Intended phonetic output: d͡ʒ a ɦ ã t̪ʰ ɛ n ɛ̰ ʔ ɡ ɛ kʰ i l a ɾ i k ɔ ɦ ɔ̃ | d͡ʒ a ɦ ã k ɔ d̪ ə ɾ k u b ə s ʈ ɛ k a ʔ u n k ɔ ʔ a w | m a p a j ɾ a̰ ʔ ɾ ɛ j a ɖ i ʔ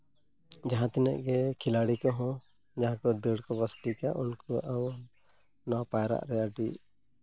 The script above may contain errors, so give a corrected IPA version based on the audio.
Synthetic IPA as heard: d͡ʒ a ɦ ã t̪ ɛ n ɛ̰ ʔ ɡ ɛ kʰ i l a ɽ i k ɔ ɦ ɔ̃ | d͡ʒ a ɦ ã k ɔ d̪ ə ɽ k ɔ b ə s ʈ i k a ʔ u n k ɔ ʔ a w | n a p a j ɾ a̰ ʔ ɾ ɛ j a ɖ i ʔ